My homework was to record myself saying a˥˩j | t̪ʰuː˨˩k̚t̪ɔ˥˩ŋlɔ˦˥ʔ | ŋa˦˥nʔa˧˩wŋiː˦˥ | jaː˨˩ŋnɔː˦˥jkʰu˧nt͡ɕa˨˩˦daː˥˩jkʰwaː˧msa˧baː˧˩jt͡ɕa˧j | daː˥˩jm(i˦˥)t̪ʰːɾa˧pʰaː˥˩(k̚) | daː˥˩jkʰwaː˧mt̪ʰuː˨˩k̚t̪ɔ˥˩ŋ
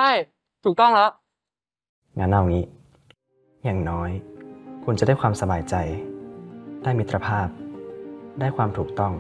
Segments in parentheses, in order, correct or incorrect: correct, incorrect: p̚

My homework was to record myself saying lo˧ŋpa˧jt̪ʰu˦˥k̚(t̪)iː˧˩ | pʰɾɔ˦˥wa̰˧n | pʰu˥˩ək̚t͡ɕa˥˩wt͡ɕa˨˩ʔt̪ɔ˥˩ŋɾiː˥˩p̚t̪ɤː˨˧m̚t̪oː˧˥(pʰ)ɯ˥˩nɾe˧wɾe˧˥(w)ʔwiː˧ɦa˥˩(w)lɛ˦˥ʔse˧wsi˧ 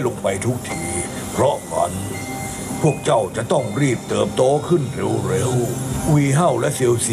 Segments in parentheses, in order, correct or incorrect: incorrect: t̪ʰ, incorrect: kʰ, correct, correct

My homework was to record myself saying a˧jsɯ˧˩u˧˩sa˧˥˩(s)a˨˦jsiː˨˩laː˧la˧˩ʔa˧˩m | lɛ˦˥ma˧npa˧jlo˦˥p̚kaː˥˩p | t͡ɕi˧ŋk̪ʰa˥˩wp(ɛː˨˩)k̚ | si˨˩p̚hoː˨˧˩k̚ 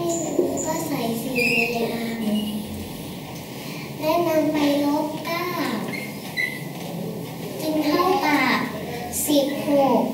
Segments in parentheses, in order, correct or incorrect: correct, incorrect: aː˨˩

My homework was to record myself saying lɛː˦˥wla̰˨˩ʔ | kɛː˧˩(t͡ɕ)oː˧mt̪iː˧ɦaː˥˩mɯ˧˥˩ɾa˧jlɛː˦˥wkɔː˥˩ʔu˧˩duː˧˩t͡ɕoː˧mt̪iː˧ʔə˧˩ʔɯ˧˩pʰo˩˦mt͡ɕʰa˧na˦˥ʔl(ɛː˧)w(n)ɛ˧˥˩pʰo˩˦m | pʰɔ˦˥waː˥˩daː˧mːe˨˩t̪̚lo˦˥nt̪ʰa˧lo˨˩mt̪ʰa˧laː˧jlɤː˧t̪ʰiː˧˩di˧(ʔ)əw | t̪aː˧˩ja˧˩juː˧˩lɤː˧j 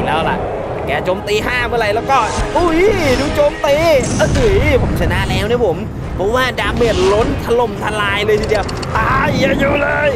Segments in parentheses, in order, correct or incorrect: correct, incorrect: ɛː˦˥, correct, incorrect: none

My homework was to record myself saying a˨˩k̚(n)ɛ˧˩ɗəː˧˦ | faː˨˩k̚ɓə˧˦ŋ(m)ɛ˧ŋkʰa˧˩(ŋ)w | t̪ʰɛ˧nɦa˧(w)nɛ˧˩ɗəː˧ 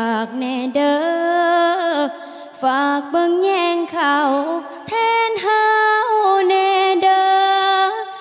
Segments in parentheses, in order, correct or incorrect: correct, incorrect: ɲ, incorrect: none, correct

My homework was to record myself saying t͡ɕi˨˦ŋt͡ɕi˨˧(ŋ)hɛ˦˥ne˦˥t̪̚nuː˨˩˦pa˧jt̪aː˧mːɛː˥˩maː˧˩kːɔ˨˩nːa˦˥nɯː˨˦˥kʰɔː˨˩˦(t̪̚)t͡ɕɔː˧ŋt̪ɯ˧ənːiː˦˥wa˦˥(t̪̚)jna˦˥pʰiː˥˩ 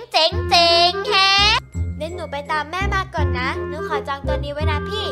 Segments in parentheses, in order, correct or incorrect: correct, incorrect: none, incorrect: none

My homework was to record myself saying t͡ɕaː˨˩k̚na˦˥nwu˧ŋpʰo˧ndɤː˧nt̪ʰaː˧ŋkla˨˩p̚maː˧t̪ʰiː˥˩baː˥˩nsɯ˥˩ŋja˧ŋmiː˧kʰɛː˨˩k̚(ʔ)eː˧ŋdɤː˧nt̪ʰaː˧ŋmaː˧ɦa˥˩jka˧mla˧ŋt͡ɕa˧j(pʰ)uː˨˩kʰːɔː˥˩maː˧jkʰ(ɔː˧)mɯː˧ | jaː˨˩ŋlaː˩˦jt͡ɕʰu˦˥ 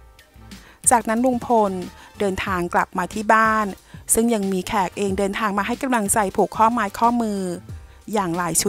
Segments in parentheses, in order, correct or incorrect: correct, correct, incorrect: ɔː˥˩

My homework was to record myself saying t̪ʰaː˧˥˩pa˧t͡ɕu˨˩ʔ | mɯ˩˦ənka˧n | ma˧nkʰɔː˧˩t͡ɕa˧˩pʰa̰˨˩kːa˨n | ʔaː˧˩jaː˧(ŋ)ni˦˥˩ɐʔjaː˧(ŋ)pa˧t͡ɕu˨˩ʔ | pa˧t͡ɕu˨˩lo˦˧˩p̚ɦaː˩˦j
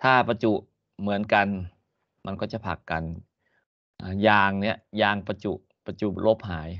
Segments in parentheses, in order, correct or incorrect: correct, correct

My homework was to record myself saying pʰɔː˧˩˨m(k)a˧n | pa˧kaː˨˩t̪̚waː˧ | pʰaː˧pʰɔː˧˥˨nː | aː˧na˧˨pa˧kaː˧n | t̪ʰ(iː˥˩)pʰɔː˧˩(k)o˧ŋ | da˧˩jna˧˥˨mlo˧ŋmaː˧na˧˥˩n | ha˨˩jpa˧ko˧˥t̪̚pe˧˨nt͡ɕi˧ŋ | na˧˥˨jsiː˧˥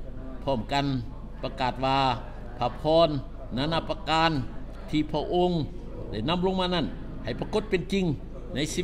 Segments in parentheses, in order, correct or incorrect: correct, incorrect: iː˧, incorrect: ʔ

